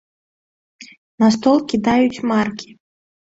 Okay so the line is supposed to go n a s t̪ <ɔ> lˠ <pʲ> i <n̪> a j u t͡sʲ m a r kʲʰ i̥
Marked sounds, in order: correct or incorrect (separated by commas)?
correct, incorrect, incorrect